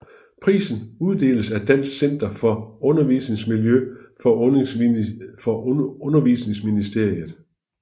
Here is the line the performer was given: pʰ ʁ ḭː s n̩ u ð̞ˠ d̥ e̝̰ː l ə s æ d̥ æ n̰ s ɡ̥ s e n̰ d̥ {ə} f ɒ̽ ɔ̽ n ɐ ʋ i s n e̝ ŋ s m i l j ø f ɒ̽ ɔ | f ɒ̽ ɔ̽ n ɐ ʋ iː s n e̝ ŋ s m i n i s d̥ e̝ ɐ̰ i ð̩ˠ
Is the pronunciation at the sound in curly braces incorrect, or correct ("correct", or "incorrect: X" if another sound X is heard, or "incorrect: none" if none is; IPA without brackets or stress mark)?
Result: incorrect: ɐ